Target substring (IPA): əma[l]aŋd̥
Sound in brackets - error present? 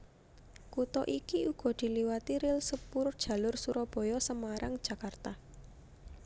yes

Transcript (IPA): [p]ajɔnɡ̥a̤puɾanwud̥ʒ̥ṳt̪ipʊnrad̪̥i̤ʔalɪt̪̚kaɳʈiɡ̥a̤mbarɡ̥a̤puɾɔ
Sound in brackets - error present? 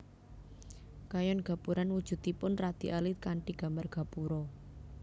yes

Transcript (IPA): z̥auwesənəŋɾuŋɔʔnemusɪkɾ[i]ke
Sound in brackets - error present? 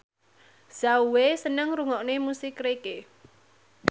yes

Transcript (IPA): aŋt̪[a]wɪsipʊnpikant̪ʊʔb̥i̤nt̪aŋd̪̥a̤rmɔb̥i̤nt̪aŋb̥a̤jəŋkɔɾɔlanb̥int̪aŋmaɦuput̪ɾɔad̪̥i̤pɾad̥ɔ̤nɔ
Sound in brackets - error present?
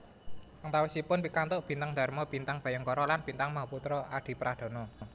no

